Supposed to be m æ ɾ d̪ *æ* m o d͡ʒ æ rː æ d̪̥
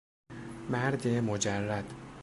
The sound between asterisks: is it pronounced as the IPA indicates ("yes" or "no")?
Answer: no